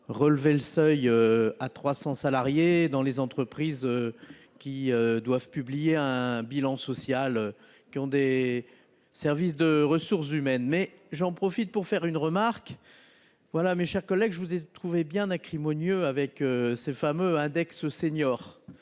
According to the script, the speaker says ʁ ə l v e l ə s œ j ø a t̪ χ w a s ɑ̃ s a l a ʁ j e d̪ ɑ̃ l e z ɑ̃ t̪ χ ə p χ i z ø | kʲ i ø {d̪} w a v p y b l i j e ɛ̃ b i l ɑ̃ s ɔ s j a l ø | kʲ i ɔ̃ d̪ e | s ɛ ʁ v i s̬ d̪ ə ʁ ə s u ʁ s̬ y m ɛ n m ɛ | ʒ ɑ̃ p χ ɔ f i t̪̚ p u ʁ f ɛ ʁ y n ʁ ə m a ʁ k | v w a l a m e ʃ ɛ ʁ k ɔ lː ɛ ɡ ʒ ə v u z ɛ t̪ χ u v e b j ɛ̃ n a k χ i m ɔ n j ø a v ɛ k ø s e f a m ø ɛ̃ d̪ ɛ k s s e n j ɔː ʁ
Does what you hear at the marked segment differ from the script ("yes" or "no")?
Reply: no